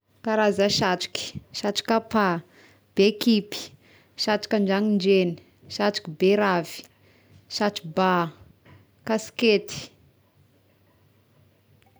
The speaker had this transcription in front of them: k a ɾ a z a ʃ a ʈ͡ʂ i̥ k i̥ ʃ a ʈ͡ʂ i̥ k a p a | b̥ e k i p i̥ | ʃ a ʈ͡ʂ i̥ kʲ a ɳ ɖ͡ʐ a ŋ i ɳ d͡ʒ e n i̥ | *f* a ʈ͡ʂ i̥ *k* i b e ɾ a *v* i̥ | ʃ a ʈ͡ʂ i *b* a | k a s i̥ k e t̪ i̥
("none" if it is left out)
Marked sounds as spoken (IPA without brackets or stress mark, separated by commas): ʃ, k, v, b